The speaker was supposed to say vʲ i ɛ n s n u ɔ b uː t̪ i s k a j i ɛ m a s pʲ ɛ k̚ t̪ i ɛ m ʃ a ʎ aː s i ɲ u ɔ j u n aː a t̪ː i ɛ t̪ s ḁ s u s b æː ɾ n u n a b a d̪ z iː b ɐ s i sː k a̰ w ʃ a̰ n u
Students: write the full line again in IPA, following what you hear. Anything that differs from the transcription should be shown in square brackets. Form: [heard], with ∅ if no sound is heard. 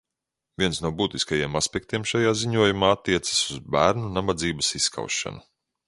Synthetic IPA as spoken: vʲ i ɛ n s n u ɔ b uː t̪ i s k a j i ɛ m a s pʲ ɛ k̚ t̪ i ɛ m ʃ a [j] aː [z] i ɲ u ɔ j u [m] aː a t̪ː i ɛ t̪ s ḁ s u [z] b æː ɾ n u n a b a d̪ z iː b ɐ s i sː k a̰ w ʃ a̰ n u